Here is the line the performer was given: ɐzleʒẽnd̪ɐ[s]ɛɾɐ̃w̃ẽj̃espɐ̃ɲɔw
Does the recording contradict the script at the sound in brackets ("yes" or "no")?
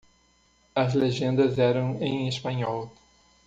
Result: yes